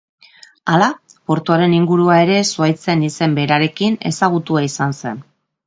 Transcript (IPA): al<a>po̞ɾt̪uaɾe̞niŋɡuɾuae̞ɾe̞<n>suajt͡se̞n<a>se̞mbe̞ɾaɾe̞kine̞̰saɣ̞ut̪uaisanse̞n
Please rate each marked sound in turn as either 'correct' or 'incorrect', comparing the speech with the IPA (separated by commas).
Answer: correct, incorrect, incorrect